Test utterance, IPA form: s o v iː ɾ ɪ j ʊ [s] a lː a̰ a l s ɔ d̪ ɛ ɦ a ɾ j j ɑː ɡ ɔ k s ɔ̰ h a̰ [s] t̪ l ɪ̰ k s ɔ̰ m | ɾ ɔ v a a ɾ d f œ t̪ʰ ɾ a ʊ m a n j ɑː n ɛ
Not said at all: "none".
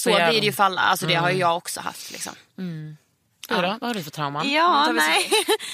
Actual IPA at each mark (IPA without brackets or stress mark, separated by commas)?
f, f